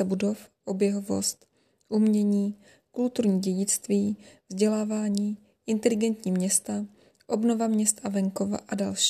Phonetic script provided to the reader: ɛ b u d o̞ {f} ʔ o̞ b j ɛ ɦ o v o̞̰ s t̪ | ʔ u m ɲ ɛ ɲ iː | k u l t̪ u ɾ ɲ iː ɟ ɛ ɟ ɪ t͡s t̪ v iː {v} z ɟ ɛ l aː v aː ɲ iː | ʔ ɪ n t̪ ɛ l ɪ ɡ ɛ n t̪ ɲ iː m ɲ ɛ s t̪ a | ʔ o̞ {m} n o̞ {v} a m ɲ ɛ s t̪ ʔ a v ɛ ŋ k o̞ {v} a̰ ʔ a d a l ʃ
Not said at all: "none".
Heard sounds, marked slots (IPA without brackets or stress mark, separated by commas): f, v, b, v, v